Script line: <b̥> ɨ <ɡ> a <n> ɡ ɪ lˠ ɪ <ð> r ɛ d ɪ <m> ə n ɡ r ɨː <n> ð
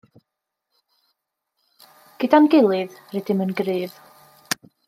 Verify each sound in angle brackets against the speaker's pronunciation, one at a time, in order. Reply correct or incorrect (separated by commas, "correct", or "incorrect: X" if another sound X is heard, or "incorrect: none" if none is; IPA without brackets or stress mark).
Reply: incorrect: ɡ̥, incorrect: d, correct, correct, correct, incorrect: none